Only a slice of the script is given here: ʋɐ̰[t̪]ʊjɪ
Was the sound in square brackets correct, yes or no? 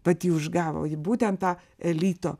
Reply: no